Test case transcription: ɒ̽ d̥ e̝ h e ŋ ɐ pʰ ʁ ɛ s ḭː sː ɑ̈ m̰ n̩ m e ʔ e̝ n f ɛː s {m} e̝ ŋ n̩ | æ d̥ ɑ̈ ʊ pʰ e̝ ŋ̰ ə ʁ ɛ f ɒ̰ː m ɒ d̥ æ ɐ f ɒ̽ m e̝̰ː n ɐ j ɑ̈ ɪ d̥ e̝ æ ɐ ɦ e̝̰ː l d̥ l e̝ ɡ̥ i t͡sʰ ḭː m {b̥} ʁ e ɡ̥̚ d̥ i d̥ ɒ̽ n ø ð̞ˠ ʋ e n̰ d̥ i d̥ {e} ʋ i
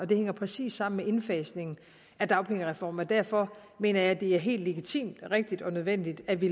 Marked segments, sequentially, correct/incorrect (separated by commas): incorrect, incorrect, incorrect